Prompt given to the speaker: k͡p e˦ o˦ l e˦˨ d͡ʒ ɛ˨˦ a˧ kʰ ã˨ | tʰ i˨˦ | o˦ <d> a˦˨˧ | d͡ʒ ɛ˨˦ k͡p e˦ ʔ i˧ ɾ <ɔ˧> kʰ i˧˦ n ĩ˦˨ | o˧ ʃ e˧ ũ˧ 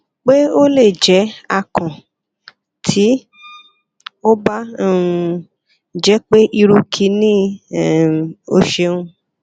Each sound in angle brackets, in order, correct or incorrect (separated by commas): incorrect, incorrect